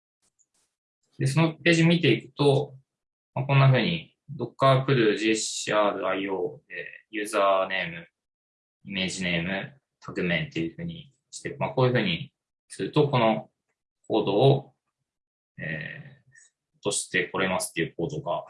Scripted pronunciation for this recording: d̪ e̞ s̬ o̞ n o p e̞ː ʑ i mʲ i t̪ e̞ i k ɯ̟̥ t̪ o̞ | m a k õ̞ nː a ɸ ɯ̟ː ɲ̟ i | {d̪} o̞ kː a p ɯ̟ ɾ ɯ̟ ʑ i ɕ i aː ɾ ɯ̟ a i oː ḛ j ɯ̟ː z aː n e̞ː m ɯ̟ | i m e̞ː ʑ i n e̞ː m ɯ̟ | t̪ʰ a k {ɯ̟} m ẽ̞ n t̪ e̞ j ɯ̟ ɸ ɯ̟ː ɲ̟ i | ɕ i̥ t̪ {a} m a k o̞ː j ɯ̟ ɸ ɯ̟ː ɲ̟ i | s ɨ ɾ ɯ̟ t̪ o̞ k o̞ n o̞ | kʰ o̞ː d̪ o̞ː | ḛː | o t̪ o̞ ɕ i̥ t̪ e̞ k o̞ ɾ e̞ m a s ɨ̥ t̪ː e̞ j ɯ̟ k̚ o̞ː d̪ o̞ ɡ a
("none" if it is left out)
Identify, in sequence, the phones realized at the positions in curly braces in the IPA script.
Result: d̪, ɯ̟, e

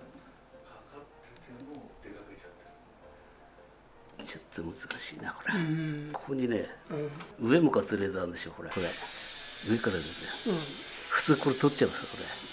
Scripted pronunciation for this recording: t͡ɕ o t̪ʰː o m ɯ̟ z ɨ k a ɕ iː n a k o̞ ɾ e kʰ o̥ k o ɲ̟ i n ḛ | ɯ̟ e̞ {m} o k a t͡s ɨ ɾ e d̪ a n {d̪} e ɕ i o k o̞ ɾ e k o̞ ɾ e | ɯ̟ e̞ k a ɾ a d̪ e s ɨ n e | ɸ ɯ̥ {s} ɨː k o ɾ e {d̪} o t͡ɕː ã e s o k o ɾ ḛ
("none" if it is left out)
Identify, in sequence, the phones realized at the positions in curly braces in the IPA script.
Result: m, d̪, t͡s, t̪

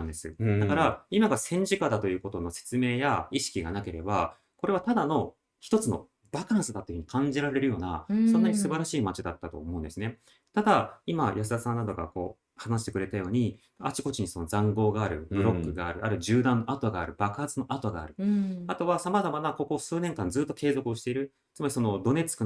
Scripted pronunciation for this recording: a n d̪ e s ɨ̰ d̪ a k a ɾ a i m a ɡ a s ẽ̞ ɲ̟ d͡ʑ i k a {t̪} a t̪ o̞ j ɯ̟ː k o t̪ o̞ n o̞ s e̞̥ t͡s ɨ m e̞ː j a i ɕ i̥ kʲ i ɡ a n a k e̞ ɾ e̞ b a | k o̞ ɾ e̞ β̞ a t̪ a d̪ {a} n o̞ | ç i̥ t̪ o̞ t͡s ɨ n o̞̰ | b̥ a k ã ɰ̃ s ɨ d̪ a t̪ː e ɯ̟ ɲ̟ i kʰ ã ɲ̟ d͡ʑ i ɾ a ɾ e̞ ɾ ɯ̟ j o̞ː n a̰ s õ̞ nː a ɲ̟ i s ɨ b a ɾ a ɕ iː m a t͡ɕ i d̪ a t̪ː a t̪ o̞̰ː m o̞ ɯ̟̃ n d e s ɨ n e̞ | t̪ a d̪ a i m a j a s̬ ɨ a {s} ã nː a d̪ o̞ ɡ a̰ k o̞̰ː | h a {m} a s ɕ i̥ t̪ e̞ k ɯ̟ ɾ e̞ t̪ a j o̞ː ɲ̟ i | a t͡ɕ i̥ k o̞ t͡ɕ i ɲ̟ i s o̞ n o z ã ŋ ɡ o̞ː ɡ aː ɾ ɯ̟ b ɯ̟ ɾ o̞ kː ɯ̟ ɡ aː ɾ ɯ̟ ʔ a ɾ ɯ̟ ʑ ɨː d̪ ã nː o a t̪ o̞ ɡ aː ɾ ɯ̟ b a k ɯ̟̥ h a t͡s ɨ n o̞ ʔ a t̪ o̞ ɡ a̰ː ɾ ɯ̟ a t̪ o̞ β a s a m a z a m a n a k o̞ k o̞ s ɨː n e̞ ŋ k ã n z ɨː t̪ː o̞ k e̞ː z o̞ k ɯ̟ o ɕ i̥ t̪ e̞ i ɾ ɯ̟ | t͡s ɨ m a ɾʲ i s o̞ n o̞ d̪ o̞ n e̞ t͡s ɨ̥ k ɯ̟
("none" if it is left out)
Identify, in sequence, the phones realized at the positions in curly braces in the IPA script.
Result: d̪, a, s, n

